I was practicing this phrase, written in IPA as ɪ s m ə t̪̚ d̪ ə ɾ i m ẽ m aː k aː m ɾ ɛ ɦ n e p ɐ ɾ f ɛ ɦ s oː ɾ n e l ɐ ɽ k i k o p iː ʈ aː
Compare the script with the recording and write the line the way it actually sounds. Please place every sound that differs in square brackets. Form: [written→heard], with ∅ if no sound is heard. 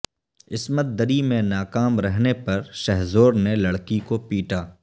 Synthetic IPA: ɪ s m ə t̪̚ d̪ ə ɾ i m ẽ [m→n] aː k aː m ɾ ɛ ɦ n e p ɐ ɾ [f→ʃ] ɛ ɦ [s→z] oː ɾ n e l ɐ ɽ k i k o p iː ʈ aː